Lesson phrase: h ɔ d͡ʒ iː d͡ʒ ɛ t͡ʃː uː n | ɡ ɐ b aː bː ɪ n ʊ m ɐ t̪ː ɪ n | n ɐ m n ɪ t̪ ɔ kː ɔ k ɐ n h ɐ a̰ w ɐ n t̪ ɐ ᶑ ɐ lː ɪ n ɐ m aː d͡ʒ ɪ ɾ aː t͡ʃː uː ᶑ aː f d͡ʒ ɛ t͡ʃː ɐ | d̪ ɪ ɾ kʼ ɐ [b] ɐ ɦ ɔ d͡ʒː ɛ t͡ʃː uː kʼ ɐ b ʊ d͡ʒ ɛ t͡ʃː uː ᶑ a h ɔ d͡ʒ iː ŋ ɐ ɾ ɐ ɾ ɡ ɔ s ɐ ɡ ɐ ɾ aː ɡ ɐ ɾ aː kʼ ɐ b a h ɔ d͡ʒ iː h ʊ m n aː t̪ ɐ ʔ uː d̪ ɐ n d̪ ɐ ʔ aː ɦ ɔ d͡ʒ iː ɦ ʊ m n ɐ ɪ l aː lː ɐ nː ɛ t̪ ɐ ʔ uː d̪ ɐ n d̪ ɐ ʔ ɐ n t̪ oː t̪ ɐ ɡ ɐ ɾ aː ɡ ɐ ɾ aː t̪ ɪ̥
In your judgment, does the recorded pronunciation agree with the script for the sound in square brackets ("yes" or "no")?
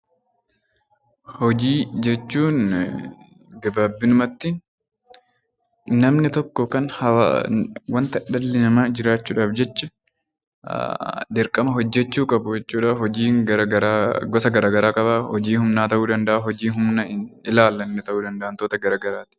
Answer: no